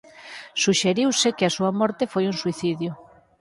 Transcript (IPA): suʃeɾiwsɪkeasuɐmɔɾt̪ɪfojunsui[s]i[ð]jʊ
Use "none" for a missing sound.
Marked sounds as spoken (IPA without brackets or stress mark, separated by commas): θ, ð